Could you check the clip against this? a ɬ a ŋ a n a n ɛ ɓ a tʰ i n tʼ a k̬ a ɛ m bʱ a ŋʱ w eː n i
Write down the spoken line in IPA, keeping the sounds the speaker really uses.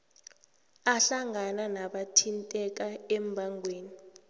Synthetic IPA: a ɬ a ŋ a n a n a ɓ a tʰ i n tʼ ɛ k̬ a ɛ m bʱ a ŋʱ w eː n i